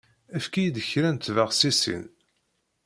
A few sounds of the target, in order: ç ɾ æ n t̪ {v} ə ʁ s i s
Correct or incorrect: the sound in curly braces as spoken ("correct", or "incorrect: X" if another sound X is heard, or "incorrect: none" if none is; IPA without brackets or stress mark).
correct